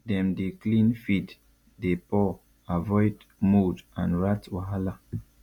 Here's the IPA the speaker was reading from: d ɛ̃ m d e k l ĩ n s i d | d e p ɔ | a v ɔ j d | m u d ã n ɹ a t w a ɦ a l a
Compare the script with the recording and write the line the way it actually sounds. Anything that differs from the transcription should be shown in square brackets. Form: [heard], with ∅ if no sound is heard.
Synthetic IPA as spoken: d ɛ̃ m d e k l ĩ n [f] i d | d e p ɔ | a v ɔ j d | m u d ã n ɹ a t w a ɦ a l a

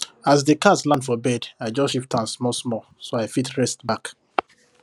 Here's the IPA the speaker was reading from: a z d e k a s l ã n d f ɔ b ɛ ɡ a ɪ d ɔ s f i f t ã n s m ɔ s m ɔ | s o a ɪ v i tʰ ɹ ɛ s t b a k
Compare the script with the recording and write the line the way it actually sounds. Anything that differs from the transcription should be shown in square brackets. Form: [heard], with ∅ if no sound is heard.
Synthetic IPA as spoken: a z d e k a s l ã n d f ɔ b ɛ [d] a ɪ [d͡ʒ] ɔ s [ʃ] i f t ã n s m ɔ s m ɔ | s o a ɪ [f] i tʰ ɹ ɛ s t b a k

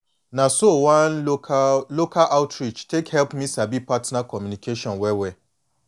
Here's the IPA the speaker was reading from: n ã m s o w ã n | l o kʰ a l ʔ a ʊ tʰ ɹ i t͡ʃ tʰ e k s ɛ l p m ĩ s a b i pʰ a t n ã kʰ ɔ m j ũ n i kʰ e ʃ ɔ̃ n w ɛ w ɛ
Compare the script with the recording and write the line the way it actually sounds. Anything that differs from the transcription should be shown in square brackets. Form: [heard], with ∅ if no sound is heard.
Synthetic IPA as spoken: n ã [∅] s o w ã n | l o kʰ a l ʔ a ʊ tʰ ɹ i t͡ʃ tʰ e k [h] ɛ l p m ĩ s a b i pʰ a t n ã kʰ ɔ m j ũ n i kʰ e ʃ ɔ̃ n w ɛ w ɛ

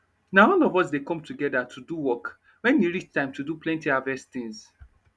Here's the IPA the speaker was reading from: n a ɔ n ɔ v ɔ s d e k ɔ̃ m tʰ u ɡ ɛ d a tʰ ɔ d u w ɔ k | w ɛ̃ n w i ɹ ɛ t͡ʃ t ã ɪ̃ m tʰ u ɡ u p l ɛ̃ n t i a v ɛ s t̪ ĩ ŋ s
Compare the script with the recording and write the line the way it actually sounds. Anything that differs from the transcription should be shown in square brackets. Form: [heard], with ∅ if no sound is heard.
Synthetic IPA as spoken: n a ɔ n ɔ v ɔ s d e k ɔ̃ m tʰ u ɡ ɛ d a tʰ [u] d u w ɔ k | w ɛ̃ n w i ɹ [i] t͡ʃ t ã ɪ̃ m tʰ u [d] u p l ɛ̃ n t i a v ɛ s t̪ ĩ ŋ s

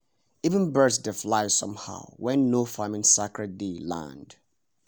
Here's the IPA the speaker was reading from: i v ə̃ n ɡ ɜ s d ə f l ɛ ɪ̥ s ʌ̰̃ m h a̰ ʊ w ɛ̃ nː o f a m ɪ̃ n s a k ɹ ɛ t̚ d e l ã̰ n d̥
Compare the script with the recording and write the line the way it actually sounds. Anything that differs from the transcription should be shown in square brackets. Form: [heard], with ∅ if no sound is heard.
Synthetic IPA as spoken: i v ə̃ n [b] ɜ s d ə f l [a] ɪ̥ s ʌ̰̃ m h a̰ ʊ w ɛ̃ nː o f a m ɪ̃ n s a k ɹ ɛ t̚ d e l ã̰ n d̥

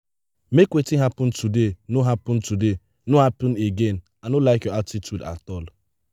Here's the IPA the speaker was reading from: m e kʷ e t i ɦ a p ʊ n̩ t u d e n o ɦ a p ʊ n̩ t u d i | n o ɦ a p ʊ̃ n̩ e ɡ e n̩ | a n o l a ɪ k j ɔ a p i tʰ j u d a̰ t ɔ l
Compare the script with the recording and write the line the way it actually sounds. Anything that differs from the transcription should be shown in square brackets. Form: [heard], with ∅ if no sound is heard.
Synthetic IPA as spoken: m e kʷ e t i ɦ a p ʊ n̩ t u d e n o ɦ a p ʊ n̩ t u d [e] | n o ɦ a p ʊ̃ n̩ e ɡ e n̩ | a n o l a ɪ k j ɔ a [t] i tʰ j u d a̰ t ɔ l

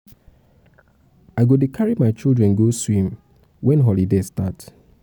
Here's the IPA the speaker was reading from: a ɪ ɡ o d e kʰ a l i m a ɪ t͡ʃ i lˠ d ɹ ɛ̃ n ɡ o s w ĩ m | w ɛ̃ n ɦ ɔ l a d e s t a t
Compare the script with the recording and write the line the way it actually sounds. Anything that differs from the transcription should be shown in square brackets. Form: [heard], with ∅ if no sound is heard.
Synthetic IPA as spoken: a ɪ ɡ o d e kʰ a [ɹ] i m a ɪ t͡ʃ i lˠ d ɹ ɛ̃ n ɡ o s w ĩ m | w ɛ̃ n ɦ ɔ l [i] d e s t a t

